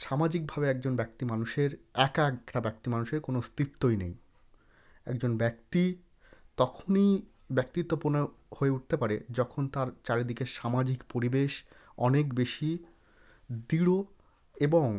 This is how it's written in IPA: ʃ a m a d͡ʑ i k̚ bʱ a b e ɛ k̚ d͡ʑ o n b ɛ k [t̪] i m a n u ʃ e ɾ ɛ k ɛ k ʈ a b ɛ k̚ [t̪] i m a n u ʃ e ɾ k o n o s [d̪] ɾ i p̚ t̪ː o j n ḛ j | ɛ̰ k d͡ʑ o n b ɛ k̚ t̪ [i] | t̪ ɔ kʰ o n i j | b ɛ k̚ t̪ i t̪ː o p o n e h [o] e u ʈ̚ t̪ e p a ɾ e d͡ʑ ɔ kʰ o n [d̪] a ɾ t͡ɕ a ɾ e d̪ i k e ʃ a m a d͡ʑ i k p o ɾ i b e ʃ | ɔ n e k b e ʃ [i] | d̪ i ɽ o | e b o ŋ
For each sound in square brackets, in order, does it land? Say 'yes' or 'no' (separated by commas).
yes, yes, no, yes, yes, no, yes